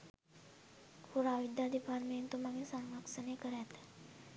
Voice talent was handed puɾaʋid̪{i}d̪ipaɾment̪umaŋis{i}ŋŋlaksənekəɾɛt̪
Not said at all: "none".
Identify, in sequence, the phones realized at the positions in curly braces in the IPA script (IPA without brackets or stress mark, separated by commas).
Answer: a, a